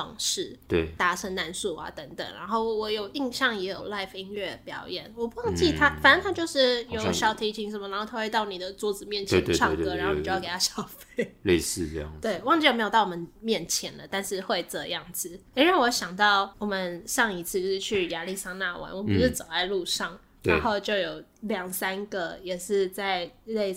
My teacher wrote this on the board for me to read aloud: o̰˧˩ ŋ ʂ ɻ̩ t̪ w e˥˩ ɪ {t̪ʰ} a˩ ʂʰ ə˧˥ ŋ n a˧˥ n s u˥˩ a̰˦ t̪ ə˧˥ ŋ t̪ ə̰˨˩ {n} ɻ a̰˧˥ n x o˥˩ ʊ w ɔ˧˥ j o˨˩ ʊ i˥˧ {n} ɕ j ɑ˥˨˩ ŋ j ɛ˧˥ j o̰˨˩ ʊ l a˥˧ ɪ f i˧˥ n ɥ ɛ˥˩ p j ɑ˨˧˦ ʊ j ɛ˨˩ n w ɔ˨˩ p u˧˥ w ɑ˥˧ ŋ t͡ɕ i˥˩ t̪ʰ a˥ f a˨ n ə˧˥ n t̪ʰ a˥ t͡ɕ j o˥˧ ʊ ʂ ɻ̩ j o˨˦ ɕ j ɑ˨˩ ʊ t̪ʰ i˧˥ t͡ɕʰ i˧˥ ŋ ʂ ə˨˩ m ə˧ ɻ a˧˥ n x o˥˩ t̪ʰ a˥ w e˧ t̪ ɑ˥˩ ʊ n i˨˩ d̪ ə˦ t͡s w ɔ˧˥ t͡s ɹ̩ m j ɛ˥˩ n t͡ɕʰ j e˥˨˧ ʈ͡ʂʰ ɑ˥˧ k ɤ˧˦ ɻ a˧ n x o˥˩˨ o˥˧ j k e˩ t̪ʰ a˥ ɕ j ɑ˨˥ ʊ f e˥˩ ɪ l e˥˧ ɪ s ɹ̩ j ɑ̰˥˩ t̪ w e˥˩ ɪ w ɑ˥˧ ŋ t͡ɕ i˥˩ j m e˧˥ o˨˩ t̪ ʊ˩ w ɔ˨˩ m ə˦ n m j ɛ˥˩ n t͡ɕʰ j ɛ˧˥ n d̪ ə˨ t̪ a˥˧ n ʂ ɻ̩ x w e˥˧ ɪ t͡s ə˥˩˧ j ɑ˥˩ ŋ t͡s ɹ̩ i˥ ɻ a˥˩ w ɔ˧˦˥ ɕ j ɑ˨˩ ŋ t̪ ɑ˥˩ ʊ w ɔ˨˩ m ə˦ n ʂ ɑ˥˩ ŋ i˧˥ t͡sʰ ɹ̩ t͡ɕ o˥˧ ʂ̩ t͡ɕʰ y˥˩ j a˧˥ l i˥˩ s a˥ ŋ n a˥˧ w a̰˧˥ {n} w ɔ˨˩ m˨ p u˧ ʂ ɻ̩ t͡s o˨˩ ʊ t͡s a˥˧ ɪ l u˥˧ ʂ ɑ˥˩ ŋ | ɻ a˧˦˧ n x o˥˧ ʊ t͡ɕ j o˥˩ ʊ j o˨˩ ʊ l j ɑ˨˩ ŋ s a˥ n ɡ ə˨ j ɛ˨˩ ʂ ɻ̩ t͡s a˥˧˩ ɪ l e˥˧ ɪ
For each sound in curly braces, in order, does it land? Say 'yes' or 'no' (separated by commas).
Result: no, no, no, yes